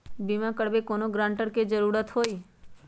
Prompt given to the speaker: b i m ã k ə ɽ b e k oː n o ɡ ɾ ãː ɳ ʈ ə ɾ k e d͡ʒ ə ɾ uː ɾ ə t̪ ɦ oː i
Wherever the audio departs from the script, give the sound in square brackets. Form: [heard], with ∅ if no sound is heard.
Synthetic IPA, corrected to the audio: b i m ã k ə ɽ b e k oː n o ɡ ɾ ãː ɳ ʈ ə ɾ k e d͡ʒ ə ɾ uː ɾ ə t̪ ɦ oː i